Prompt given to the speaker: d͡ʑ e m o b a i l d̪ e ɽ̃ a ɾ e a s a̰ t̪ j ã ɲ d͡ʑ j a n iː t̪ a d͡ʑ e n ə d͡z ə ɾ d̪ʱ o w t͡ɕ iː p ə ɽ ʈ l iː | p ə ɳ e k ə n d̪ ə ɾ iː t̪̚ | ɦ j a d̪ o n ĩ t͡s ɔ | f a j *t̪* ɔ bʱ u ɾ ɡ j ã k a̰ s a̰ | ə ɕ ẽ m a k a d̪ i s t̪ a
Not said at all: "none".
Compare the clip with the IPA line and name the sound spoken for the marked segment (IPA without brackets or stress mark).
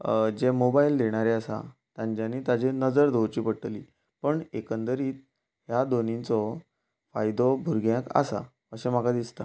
d̪